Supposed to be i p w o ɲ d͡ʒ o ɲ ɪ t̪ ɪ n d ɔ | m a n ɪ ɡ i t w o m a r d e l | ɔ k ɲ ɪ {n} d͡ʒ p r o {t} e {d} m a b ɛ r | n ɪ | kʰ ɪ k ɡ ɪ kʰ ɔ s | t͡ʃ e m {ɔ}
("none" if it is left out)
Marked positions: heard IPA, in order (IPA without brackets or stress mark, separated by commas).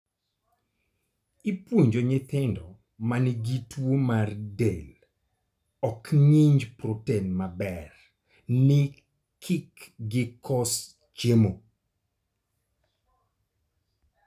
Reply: ɲ, t, n, o